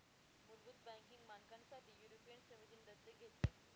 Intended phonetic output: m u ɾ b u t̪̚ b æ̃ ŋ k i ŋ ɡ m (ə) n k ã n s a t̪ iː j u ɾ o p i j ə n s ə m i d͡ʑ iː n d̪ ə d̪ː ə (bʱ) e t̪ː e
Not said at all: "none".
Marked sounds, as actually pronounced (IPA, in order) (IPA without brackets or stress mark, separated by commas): a, ɡʱ